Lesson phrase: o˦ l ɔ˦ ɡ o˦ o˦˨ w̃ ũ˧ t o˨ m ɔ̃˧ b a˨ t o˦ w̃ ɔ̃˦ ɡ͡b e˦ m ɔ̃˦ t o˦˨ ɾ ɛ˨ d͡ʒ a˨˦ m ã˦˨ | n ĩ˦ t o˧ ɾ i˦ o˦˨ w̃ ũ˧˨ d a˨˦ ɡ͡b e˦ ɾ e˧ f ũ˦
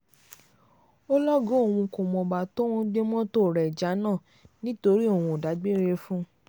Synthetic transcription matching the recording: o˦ l ɔ˦ ɡ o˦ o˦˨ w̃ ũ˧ k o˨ m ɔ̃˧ b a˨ t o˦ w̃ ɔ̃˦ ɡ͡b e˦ m ɔ̃˦ t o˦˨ ɾ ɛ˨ d͡ʒ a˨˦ n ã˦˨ | n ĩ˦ t o˧ ɾ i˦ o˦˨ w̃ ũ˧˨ d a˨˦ ɡ͡b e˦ ɾ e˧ f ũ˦